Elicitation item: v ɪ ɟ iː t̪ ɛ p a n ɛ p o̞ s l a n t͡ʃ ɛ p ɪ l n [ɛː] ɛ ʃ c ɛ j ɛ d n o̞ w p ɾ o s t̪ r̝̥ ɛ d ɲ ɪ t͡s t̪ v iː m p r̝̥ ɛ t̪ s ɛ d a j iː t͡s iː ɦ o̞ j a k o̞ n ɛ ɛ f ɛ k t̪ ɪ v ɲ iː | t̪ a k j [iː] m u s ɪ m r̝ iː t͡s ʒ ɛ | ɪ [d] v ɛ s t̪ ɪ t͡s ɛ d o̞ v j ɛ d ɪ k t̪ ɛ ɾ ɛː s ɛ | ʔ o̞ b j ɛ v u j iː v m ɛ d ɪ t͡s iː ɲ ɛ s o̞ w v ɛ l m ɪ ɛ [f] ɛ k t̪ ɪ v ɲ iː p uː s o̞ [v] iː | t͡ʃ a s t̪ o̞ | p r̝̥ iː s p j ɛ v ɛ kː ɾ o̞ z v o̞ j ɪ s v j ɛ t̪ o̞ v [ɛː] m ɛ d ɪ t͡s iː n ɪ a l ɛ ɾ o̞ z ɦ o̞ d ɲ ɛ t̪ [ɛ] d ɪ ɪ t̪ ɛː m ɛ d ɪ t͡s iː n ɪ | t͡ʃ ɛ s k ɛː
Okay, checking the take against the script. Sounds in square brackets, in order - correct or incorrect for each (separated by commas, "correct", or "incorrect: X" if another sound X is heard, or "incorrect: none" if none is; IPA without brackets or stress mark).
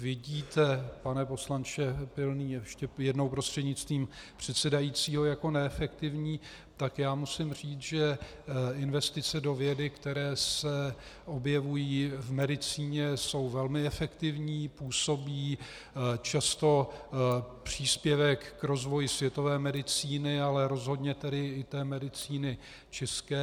incorrect: iː, incorrect: aː, incorrect: n, correct, incorrect: b, correct, correct